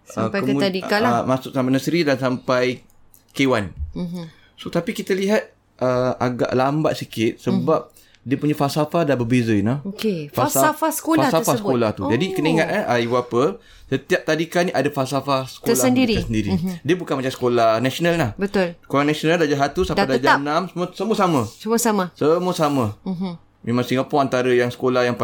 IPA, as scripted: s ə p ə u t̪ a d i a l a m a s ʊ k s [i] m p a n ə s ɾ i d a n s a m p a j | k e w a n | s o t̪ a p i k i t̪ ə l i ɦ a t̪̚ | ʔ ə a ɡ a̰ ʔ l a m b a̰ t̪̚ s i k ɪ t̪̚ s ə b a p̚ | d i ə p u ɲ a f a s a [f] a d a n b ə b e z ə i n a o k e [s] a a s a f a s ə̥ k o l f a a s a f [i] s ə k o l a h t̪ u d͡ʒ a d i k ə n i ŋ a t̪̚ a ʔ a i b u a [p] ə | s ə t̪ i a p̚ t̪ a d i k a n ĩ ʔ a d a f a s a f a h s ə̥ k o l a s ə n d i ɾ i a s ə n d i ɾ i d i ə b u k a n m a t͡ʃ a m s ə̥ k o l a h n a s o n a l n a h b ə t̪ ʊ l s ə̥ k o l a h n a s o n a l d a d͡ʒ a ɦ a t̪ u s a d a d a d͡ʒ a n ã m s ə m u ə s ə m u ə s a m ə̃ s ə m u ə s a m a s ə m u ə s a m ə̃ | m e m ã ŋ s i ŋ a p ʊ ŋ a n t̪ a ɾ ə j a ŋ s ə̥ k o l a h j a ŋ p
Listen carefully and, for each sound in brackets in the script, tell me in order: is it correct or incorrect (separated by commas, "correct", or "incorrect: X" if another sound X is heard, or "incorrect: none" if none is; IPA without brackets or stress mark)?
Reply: incorrect: a, correct, incorrect: f, incorrect: a, correct